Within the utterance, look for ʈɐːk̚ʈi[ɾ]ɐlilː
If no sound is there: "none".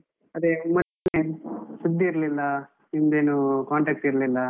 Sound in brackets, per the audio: ɾ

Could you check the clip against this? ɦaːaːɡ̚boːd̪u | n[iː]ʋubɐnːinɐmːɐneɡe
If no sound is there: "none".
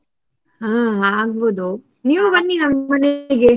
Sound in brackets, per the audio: iː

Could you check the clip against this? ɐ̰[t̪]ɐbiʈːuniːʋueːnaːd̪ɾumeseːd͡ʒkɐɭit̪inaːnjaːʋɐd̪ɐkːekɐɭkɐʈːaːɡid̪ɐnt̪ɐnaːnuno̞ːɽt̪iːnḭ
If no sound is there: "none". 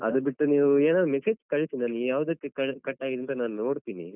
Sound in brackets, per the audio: d̪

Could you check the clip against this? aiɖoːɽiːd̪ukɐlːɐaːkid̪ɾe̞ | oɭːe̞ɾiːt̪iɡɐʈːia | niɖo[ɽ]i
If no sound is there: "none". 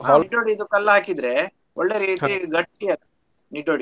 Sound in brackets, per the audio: ɽ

